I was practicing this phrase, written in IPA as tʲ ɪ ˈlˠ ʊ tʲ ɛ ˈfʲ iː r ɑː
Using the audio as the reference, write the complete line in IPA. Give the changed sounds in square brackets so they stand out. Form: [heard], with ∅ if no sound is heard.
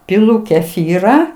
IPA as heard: [pʲ] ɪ ˈlˠ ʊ [kʲ] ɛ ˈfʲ iː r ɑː